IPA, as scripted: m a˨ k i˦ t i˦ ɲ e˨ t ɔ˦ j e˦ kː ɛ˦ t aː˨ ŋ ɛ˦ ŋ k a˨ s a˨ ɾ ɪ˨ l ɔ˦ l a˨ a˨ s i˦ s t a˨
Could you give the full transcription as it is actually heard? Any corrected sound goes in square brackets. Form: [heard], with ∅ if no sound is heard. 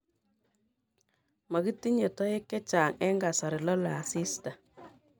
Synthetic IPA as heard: m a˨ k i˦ t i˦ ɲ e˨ t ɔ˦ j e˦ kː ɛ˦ [t͡ʃ] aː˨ ŋ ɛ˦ ŋ [ɡ] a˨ s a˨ ɾ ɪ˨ l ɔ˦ l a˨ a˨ s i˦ s t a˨